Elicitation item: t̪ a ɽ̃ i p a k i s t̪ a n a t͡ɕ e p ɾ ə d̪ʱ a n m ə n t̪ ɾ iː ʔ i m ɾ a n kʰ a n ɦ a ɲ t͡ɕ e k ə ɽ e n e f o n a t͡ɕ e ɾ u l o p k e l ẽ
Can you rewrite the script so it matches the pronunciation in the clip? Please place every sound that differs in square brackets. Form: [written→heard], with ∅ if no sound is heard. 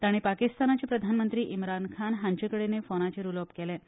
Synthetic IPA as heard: t̪ a ɽ̃ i p a k i s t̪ a n a t͡ɕ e p ɾ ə d̪ʱ a n m ə n t̪ ɾ iː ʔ i m ɾ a n kʰ a n ɦ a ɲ t͡ɕ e k ə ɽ e n e f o n a t͡ɕ e ɾ u l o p k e l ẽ